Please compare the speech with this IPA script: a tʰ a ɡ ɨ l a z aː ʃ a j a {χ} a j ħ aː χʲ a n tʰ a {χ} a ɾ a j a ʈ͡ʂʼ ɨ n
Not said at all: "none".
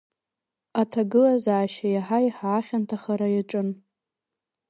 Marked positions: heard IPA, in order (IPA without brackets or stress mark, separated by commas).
ħ, χ